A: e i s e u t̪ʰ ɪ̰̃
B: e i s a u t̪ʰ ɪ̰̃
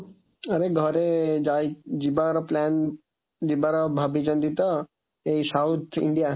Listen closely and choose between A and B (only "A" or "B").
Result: B